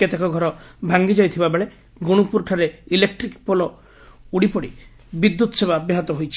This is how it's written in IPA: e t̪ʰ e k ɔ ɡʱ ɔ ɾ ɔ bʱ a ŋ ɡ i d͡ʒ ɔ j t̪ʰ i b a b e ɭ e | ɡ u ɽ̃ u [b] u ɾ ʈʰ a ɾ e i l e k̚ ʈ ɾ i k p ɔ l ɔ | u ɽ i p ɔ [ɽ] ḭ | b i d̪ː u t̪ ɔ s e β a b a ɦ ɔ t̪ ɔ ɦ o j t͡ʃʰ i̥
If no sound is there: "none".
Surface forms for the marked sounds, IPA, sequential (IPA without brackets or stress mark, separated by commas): p, ɽ